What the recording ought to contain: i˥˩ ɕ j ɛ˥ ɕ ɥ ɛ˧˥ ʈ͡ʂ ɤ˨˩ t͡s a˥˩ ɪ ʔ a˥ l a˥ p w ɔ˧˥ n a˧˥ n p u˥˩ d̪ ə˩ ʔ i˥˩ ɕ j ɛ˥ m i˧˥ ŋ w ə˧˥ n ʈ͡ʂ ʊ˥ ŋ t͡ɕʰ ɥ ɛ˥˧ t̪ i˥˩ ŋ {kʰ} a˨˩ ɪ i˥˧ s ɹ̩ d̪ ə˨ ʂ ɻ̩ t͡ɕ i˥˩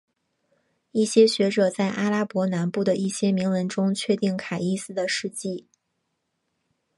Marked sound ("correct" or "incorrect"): correct